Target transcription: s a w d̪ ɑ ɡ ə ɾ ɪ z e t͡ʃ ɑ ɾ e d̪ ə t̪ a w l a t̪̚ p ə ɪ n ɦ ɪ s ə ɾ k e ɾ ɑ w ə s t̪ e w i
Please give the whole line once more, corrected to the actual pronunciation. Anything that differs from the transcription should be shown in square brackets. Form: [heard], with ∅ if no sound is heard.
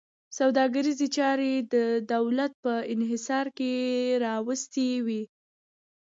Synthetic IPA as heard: s a w d̪ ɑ ɡ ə ɾ [i] z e t͡ʃ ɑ ɾ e d̪ ə [d̪] a w l a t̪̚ p ə ɪ n ɦ ɪ s [ɑ] ɾ k e ɾ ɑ w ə s t̪ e w i